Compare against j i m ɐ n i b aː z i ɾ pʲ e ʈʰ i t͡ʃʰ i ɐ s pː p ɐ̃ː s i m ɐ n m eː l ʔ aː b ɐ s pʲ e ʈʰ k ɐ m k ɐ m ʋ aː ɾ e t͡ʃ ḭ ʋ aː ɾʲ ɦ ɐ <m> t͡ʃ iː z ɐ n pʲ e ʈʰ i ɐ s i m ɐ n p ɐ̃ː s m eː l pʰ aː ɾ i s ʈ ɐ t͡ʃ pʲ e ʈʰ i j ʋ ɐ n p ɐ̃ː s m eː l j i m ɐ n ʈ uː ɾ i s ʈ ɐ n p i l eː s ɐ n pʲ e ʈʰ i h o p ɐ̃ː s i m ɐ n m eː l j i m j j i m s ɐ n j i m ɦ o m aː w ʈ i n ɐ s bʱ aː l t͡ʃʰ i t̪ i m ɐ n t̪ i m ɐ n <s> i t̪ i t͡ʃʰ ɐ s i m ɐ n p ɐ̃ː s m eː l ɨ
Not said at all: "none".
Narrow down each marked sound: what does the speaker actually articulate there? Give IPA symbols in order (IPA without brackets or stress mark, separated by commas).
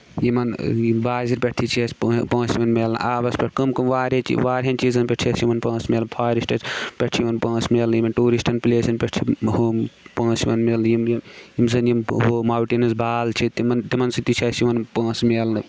n, s